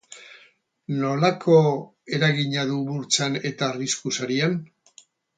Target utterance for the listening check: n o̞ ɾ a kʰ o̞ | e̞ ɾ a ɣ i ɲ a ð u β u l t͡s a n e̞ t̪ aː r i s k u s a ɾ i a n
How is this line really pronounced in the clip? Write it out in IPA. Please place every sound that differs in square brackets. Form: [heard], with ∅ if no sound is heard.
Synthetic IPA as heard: n o̞ [l] a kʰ o̞ | e̞ ɾ a ɣ i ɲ a ð u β u [ɾ] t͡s a n e̞ t̪ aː r i s k u s a ɾ i a n